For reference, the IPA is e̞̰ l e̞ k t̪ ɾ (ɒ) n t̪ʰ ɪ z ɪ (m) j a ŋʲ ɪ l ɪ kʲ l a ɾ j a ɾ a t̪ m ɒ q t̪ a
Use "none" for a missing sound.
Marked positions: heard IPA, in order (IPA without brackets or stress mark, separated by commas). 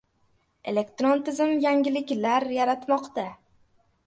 o, m